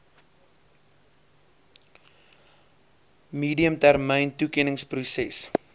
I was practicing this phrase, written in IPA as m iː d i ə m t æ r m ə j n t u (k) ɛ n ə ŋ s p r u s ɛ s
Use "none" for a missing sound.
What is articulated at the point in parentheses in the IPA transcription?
k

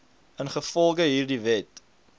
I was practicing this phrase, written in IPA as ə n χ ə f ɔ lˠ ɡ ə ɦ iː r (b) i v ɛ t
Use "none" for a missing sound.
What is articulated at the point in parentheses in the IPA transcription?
d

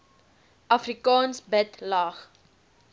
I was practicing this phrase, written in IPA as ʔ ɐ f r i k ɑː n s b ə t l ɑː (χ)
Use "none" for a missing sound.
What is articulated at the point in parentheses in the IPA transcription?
χ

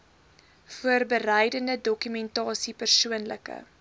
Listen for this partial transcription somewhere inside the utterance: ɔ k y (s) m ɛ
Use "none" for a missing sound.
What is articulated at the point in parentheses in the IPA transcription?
none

